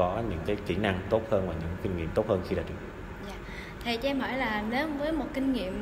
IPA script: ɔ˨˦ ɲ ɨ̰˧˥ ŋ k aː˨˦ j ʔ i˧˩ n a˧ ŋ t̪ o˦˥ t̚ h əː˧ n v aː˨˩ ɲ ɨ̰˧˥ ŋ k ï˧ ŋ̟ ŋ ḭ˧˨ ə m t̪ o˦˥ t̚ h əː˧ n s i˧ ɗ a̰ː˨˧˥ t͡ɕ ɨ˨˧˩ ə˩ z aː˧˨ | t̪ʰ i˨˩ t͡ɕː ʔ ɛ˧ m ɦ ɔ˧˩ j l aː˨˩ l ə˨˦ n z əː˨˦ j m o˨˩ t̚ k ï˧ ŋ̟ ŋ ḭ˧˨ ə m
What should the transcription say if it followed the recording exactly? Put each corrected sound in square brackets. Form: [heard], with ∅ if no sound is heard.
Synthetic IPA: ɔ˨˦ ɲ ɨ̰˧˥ ŋ k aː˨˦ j [k] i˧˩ n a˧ ŋ t̪ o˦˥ t̚ h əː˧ n v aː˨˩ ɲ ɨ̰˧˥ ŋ k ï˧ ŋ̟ ŋ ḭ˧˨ ə m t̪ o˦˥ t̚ h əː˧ n [x] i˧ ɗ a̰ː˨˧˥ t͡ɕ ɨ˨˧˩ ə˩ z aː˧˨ | t̪ʰ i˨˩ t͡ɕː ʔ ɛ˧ m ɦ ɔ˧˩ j l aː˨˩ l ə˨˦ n [v] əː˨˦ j m o˨˩ t̚ k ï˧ ŋ̟ ŋ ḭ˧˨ ə m